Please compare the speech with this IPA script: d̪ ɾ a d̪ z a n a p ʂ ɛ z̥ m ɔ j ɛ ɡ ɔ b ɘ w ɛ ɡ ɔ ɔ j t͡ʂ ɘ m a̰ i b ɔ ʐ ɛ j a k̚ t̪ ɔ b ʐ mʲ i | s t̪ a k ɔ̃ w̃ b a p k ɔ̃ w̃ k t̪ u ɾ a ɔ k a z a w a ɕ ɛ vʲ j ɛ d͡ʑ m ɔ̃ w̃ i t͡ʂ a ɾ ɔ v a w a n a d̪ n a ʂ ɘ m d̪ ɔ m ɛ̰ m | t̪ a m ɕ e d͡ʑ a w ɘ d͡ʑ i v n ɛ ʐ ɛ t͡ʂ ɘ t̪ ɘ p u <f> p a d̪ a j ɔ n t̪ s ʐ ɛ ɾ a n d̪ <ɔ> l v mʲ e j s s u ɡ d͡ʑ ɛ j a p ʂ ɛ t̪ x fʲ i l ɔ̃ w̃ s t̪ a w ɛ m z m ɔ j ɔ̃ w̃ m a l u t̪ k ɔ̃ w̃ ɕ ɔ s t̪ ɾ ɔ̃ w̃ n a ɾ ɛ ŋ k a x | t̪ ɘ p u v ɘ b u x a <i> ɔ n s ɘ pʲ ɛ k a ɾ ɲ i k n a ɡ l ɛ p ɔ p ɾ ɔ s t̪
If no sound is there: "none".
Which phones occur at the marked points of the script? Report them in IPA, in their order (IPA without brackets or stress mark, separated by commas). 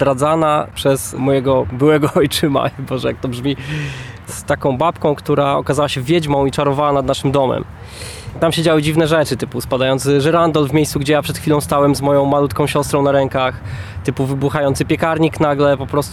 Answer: s, ɔ, j